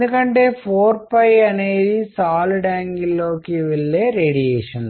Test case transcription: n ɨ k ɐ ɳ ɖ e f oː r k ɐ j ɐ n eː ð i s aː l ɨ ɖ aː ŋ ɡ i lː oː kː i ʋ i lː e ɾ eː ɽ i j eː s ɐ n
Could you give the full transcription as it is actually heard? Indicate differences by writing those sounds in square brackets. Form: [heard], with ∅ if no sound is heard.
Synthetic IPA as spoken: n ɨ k ɐ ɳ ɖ e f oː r [p] ɐ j ɐ n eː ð i s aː l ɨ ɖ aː ŋ ɡ i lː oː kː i ʋ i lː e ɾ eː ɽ i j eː [ʂ] ɐ n